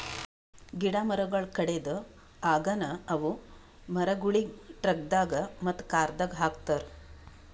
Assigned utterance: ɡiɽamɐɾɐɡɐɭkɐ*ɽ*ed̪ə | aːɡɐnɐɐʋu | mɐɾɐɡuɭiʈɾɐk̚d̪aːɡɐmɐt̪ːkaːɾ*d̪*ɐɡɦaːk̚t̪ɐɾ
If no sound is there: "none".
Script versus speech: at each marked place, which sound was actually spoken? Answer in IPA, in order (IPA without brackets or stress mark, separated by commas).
ɽ, d̪